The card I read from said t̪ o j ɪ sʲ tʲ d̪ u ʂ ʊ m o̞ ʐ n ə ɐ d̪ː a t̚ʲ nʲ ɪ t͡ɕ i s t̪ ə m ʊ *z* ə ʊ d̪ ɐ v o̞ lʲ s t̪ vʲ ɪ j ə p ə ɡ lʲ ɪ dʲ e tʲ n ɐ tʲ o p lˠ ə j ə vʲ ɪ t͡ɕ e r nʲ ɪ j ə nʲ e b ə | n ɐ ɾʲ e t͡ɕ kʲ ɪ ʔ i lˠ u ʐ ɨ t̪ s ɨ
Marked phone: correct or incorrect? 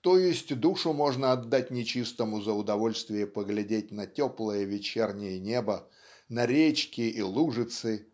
correct